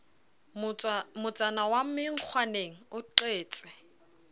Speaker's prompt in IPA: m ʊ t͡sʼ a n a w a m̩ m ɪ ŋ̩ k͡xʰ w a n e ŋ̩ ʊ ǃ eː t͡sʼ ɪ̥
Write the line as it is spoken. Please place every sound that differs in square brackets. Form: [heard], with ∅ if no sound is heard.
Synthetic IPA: m ʊ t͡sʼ a n a w a m̩ m ɪ ŋ̩ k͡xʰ w a n e ŋ̩ ʊ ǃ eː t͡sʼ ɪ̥